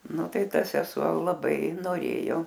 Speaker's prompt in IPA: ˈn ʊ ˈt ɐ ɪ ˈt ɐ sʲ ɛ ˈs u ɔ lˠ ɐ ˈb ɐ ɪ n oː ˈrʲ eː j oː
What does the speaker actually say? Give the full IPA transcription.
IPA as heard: ˈn ʊ ˈt ɐ ɪ ˈt ɐ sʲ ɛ ˈs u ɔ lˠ ɐ ˈb ɐ ɪ n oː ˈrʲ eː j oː